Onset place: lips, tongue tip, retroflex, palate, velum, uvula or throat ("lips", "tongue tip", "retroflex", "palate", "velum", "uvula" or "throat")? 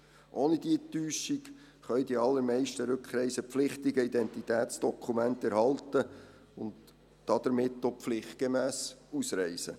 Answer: throat